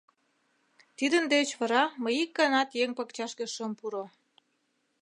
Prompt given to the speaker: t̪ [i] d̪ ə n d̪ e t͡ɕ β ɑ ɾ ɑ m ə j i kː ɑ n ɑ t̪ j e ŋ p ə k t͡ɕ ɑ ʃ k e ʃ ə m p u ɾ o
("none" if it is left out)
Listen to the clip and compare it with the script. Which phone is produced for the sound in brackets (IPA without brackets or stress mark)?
i